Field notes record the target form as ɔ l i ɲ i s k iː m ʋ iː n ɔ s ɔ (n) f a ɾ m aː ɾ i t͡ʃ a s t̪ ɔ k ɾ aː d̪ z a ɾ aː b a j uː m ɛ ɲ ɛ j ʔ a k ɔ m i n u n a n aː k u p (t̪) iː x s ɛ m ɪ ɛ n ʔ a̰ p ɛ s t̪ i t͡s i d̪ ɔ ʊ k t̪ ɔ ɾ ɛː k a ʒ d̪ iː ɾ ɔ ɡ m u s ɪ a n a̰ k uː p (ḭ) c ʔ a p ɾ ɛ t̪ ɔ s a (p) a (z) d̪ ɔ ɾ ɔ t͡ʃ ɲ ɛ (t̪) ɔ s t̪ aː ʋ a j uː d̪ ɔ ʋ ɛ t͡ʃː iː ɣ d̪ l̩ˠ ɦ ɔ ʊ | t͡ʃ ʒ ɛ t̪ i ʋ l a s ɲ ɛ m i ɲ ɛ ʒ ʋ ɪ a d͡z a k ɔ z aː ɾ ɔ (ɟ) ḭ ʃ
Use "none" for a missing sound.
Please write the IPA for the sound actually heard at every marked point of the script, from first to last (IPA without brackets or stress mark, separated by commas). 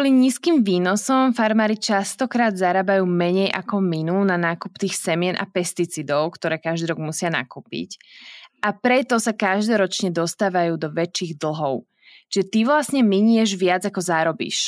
m, t̪, ḭ, k, ʒ, d̪, b